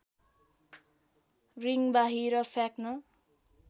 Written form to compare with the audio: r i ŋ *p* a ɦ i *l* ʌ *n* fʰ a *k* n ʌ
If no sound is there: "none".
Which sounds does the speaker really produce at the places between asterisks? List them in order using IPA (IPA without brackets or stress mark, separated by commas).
b, ɾ, none, k